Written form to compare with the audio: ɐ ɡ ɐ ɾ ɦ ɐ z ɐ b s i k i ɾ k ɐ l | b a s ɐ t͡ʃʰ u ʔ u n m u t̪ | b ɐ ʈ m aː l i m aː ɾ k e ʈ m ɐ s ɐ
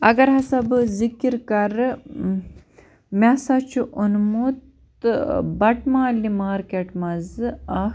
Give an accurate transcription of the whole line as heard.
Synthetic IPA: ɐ ɡ ɐ ɾ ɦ ɐ s ɐ b z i k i ɾ k ɐ ɾ | m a s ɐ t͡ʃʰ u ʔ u n m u t̪ | b ɐ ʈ m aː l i m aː ɾ k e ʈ m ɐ z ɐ